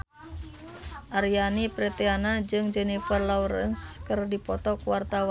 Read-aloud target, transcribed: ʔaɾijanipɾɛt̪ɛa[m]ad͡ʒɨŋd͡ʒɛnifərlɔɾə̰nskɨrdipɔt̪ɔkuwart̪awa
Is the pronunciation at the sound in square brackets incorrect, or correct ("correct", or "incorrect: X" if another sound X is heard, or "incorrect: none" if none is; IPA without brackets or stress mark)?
incorrect: n